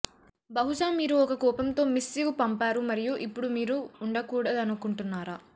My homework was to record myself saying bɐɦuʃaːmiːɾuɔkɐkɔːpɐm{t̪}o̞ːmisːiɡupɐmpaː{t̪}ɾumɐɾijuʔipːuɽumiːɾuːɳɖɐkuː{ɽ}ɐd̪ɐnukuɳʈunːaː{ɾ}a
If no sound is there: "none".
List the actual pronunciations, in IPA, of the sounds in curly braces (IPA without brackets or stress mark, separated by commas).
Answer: t̪, none, ɽ, ɾ